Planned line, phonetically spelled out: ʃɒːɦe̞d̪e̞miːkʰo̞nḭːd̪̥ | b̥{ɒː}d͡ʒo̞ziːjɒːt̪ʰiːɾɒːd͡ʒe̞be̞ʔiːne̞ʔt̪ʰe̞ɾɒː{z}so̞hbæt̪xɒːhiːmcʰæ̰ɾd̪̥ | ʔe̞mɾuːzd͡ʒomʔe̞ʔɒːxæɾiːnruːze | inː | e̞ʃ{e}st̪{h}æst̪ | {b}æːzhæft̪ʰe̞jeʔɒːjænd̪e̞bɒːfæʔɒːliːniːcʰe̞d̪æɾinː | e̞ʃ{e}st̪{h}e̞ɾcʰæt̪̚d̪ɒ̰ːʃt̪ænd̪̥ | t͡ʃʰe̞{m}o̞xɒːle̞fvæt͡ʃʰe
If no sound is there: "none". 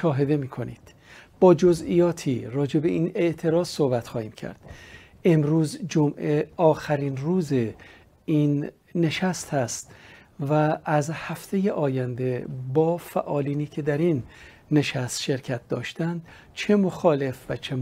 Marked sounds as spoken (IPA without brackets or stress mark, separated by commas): ɒː, z, æ, h, v, æ, ʃ, m